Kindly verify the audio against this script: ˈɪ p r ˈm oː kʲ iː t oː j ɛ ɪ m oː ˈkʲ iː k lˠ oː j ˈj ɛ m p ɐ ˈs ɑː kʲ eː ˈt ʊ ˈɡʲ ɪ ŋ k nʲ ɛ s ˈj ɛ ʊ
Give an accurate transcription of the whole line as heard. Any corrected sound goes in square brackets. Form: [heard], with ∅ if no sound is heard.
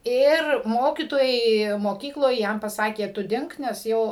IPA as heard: ˈɪ [∅] r ˈm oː kʲ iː t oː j ɛ ɪ m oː ˈkʲ iː k lˠ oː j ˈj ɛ m p ɐ ˈs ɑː kʲ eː ˈt ʊ [ˈdʲ] ɪ ŋ k nʲ ɛ s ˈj ɛ ʊ